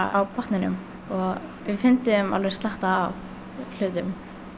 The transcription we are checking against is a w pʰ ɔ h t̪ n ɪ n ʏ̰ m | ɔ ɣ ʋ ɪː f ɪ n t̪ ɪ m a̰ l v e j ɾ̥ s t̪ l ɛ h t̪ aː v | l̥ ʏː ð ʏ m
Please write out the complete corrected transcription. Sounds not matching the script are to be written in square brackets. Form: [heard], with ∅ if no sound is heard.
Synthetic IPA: a w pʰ ɔ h t̪ n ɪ n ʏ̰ m | ɔ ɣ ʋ [ɪ] f ɪ n t̪ ɪ m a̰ l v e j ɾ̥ s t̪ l [a] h t̪ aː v | l̥ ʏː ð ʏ m